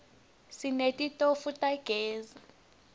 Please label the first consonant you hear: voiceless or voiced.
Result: voiceless